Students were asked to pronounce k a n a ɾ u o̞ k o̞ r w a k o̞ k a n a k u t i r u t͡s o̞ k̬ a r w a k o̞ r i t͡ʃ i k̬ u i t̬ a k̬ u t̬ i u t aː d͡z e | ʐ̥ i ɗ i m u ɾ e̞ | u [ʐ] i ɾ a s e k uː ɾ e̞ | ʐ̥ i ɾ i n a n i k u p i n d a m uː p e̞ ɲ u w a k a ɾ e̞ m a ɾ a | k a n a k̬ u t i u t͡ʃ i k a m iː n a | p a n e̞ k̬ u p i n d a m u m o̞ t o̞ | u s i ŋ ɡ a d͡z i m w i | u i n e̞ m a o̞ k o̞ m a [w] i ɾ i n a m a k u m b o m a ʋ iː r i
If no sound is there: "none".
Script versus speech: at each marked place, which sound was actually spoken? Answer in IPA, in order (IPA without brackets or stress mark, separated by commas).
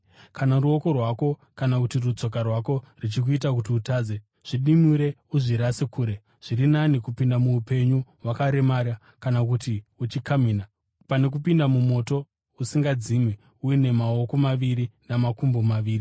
ʐ, ʋ